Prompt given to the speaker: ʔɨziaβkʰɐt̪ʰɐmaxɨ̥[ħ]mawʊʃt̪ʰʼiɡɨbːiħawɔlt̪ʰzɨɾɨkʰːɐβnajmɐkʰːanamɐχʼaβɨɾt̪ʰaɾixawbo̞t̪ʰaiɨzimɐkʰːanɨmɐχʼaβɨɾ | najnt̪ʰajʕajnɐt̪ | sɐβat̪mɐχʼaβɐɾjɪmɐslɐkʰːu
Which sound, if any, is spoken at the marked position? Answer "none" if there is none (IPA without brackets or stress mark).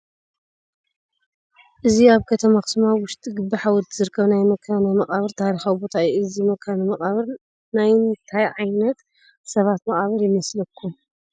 s